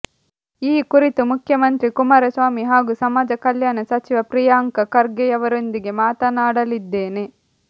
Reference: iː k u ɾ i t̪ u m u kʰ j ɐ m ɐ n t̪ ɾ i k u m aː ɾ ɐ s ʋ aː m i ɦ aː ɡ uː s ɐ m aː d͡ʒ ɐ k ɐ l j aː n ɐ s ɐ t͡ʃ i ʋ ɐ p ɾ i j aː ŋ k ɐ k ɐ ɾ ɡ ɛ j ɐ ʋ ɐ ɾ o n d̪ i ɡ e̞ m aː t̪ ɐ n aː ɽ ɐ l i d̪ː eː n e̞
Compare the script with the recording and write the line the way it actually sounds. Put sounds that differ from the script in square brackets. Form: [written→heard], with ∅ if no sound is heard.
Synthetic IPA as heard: iː k u ɾ i t̪ u m u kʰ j ɐ m ɐ n t̪ ɾ i k u m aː ɾ ɐ s ʋ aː m i ɦ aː ɡ [uː→u] s ɐ m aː d͡ʒ ɐ k ɐ l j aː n ɐ s ɐ t͡ʃ i ʋ ɐ p ɾ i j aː ŋ k ɐ k ɐ ɾ ɡ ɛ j ɐ ʋ ɐ ɾ o n d̪ i ɡ e̞ m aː t̪ ɐ n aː ɽ ɐ l i d̪ː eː n e̞